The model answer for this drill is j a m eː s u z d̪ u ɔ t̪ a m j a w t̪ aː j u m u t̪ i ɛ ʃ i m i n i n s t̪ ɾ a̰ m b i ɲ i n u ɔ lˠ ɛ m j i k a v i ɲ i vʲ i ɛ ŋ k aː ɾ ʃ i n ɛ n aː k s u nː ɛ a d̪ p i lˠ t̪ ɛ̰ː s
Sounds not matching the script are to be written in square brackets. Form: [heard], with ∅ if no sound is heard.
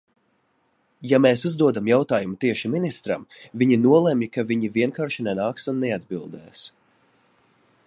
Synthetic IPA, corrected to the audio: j a m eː s u z d̪ u ɔ [d̪] a m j a w t̪ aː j u m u t̪ i ɛ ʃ i m i n i [∅] s t̪ ɾ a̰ m [v] i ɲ i n u ɔ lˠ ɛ m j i k a v i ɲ i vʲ i ɛ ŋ k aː ɾ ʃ i n ɛ n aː k s u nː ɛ a d̪ [b] i lˠ [d̪] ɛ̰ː s